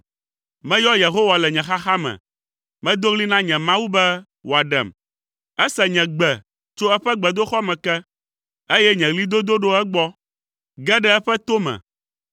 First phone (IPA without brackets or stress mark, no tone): m